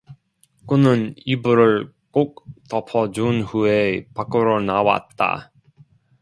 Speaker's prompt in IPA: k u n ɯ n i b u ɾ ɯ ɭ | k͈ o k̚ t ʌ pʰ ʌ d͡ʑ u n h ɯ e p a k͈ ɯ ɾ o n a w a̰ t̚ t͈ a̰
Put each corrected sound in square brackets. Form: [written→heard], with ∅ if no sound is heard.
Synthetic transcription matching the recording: k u n ɯ n i b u ɾ ɯ ɭ | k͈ o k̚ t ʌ pʰ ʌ d͡ʑ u n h [ɯ→u] e p a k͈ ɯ ɾ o n a w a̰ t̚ t͈ a̰